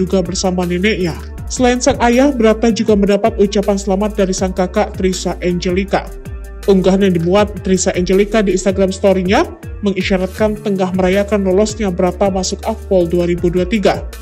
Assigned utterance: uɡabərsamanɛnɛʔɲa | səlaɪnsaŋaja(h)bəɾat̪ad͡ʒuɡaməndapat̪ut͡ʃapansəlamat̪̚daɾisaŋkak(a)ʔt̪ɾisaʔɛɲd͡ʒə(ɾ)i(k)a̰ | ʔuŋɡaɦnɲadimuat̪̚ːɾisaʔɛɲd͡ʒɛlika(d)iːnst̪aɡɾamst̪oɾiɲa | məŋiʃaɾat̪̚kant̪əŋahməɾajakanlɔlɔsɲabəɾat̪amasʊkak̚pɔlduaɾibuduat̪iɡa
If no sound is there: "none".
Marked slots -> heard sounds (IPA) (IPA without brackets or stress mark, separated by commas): h, a, l, k, d